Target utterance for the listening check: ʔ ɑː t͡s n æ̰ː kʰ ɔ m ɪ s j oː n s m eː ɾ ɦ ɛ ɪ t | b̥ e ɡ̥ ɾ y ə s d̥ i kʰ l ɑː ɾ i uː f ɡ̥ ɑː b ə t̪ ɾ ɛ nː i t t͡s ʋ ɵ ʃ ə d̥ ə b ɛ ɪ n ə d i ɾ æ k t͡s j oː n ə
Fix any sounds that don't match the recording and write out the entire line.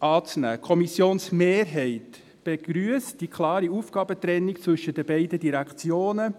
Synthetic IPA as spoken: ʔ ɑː t͡s n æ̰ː kʰ ɔ m i s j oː n s m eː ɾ ɦ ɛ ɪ t | b̥ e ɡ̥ ɾ y ə s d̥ i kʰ l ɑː ɾ i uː f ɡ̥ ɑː b ə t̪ ɾ ɛ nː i k t͡s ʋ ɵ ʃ ə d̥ ə b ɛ ɪ d ə d i ɾ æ k t͡s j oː n ə